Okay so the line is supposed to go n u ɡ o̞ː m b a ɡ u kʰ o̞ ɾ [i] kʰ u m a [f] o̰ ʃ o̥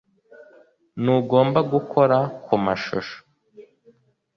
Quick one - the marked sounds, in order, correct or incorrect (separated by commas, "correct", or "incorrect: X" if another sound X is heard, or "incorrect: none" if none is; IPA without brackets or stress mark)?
incorrect: a, incorrect: ʃ